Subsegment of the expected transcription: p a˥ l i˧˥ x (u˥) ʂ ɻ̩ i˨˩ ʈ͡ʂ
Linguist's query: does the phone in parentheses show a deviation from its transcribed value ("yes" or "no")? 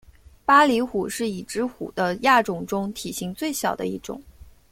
yes